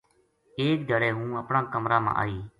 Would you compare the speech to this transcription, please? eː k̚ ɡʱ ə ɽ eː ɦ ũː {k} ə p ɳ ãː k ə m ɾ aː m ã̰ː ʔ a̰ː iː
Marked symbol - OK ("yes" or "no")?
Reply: no